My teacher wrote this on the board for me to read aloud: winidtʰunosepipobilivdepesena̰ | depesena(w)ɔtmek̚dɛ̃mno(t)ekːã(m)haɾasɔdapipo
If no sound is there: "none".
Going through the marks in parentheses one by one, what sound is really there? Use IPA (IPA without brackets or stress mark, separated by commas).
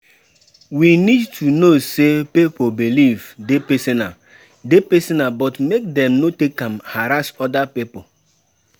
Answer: b, t, m